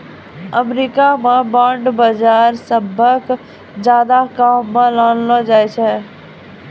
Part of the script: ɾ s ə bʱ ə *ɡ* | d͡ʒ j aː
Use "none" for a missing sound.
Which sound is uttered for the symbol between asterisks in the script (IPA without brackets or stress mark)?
k